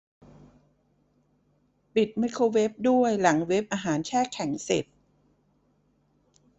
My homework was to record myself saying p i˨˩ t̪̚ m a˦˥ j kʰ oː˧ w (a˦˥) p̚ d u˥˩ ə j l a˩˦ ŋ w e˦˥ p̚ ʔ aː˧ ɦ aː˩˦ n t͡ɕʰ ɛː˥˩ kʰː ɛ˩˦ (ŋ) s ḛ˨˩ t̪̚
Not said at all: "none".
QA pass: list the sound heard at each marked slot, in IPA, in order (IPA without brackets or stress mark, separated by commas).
e˦˥, ŋ